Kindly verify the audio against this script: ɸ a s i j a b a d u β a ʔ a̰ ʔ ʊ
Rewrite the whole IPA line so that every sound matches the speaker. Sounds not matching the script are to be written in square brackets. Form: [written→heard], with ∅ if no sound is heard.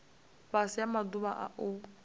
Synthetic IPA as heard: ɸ a s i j a [b→m] a d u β a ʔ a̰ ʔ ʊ